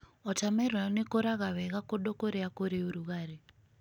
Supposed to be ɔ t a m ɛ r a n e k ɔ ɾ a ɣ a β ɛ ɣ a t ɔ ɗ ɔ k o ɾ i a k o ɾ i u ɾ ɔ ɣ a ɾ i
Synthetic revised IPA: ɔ t a m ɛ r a n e k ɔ ɾ a ɣ a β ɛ ɣ a k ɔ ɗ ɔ k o ɾ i a k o ɾ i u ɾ u ɣ a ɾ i